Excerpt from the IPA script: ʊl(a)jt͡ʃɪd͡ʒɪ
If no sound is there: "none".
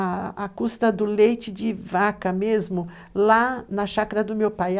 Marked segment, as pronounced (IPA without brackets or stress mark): e